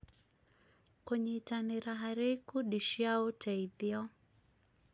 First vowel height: mid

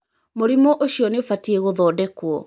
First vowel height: mid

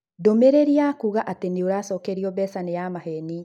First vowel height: mid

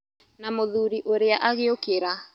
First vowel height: low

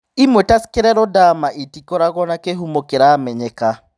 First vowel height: high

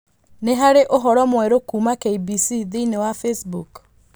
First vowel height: mid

